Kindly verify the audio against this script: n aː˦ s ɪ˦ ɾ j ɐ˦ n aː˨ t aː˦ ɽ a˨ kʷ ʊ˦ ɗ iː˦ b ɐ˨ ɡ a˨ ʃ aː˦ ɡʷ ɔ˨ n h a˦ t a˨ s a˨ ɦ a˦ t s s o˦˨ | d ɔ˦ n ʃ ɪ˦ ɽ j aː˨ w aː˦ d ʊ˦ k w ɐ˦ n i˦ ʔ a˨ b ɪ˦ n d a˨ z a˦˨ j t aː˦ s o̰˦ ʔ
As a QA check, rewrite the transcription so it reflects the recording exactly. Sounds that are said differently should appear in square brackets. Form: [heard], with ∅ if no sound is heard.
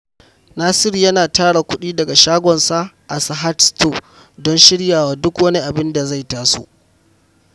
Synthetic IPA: n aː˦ s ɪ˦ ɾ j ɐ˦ n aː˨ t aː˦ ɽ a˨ kʷ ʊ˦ ɗ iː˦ [d] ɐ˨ ɡ a˨ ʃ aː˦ ɡʷ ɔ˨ n [s] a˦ [ʔ] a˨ s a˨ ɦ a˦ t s [t] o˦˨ | d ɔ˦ n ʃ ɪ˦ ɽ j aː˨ w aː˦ d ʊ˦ k w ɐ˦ n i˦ ʔ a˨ b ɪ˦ n d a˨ z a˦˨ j t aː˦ s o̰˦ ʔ